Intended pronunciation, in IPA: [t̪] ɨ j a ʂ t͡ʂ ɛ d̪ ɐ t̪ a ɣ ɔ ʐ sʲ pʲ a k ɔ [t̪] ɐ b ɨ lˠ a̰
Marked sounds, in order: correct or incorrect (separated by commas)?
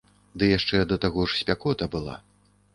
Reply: incorrect, correct